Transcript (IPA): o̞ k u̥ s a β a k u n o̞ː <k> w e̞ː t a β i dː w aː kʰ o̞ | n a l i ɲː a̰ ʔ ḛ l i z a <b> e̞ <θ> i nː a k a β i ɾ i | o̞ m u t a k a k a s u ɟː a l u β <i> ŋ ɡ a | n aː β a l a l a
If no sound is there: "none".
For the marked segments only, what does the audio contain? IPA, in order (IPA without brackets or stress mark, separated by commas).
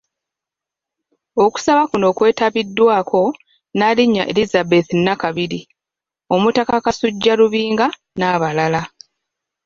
k, b, θ, iː